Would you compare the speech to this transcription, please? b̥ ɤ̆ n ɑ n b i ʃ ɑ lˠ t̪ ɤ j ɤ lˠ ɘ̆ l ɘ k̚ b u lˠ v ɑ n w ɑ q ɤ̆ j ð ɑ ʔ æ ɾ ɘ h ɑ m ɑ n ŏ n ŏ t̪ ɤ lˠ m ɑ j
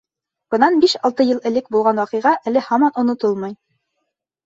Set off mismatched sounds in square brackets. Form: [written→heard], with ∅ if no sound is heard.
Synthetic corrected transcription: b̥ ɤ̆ n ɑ n b i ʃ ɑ lˠ t̪ ɤ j ɤ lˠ ɘ̆ l ɘ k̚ b u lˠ [v→ʁ] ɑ n w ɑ q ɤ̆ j [ð→ʁ] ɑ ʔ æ [ɾ→l] ɘ h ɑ m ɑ n ŏ n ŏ t̪ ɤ lˠ m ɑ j

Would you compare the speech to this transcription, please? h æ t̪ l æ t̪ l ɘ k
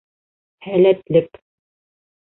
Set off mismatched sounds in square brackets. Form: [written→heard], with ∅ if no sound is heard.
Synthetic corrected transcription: h æ [t̪→∅] l æ t̪ l ɘ k

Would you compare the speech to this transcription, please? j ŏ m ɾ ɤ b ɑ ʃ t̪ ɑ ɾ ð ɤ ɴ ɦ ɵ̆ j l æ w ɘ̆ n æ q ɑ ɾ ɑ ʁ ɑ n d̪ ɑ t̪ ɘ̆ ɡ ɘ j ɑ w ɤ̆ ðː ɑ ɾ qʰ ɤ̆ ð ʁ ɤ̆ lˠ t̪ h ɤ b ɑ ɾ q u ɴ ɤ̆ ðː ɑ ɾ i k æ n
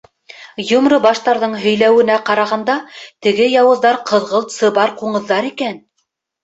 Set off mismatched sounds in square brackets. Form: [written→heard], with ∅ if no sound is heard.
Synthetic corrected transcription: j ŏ m ɾ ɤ b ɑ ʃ t̪ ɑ ɾ ð ɤ ɴ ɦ ɵ̆ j l æ w ɘ̆ n æ q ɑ ɾ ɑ ʁ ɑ n d̪ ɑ t̪ ɘ̆ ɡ ɘ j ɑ w ɤ̆ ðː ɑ ɾ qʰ ɤ̆ ð ʁ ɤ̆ lˠ t̪ [h→s] ɤ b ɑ ɾ q u ɴ ɤ̆ ðː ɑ ɾ i k æ n

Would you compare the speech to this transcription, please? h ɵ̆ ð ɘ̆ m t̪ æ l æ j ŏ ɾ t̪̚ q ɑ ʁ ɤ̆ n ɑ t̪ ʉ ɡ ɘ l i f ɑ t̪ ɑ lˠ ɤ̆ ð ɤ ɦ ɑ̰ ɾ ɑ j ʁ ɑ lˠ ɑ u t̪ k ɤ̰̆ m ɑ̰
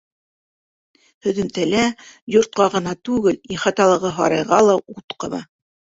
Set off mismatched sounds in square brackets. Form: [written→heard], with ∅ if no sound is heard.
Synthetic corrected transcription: h ɵ̆ ð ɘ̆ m t̪ æ l æ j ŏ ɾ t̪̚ q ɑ ʁ ɤ̆ n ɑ t̪ ʉ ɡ ɘ l i [f→χ] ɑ t̪ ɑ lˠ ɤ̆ [ð→ʁ] ɤ ɦ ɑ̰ ɾ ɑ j ʁ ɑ lˠ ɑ u t̪ [k→q] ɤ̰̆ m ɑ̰

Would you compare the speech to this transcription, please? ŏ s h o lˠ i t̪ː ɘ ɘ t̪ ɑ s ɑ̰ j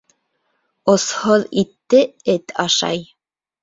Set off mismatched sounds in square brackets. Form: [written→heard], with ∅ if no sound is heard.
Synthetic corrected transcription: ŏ s h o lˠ i t̪ː ɘ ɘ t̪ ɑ [s→ʃ] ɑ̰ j

